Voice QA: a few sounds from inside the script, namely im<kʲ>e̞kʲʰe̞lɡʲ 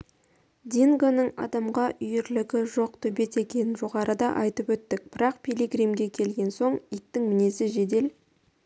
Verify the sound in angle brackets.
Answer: incorrect: ɡʲ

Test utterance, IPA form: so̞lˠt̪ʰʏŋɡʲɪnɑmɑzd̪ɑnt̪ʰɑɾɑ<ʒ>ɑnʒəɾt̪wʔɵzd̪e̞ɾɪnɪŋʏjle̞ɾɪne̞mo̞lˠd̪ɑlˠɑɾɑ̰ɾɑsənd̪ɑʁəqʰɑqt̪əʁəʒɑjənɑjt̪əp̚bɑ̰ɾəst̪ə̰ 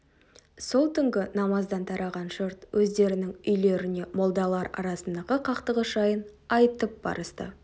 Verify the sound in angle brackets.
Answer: incorrect: ʁ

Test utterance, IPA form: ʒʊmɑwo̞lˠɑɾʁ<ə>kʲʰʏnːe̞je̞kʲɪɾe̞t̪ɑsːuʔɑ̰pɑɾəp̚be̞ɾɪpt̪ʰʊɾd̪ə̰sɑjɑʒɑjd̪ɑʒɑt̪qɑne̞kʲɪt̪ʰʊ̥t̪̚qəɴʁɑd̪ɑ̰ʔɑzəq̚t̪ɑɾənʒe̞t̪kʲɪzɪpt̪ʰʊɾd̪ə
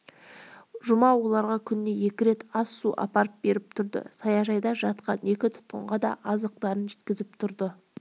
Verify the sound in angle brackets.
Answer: incorrect: ɑ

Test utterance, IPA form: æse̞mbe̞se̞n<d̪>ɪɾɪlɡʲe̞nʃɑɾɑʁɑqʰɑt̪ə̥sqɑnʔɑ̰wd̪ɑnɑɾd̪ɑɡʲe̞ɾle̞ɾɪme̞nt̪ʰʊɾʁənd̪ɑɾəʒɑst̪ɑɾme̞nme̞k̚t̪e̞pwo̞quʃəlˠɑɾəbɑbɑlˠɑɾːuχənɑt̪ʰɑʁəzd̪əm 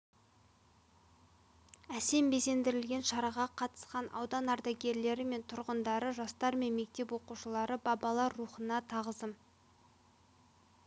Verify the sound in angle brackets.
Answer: correct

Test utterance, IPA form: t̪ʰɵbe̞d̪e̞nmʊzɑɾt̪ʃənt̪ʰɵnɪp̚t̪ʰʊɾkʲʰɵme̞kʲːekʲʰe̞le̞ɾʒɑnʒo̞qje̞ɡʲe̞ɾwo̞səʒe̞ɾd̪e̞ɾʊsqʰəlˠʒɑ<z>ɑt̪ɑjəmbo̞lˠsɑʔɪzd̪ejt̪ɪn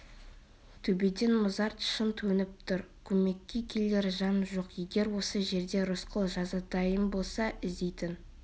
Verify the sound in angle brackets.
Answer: correct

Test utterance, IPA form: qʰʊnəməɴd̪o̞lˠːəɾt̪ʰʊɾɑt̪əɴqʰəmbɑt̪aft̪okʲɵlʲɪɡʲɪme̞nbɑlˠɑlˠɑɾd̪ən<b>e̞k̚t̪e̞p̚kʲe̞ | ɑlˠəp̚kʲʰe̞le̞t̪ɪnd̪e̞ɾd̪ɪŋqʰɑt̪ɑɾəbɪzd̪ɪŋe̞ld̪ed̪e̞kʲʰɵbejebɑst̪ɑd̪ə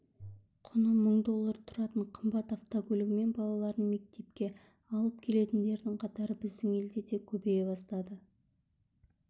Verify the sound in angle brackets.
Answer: incorrect: m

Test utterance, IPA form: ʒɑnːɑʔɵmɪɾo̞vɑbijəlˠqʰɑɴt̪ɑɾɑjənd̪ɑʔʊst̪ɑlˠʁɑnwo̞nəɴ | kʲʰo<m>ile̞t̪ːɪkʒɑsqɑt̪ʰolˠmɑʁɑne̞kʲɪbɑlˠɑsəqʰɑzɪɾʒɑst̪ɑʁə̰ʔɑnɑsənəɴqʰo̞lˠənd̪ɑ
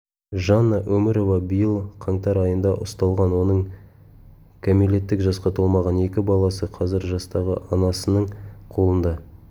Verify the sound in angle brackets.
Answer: correct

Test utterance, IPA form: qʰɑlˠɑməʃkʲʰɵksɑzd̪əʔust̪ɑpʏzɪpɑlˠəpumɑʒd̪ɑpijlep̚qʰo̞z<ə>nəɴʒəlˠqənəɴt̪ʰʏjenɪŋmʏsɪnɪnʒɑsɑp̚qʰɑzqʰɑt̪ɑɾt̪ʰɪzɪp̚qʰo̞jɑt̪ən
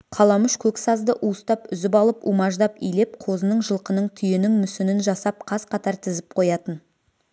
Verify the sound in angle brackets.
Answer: correct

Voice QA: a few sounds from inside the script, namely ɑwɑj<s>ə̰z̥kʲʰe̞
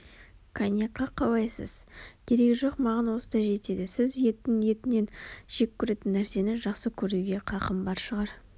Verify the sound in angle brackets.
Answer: correct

